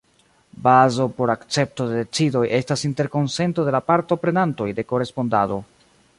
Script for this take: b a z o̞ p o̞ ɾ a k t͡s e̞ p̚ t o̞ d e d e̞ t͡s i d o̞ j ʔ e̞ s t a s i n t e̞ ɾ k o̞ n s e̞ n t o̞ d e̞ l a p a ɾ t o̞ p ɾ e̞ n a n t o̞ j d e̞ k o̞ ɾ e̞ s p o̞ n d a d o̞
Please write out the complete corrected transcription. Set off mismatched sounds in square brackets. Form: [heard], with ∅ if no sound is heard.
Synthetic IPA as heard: b a z o̞ p o̞ ɾ a k t͡s e̞ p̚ t o̞ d e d e̞ t͡s i d o̞ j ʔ e̞ s t a s i n t e̞ ɾ k o̞ n s e̞ n t o̞ d e̞ l a p a ɾ t o̞ p ɾ e̞ n a n t o̞ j d e̞ k o̞ ɾ e̞ s p o̞ n d a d o̞